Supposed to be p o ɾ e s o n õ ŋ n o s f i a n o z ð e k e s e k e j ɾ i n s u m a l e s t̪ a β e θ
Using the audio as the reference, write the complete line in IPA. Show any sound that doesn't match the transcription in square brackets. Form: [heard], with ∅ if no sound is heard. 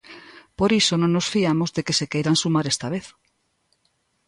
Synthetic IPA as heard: p o ɾ [i] s o n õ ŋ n o s f i a [m] o z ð e k e s e k e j ɾ [a] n s u m a [ɾ] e s t̪ a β e θ